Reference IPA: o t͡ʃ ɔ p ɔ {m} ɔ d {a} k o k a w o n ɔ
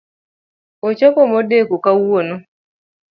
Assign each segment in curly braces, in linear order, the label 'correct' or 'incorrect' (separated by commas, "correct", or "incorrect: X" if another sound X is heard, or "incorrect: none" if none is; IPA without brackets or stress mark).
correct, incorrect: e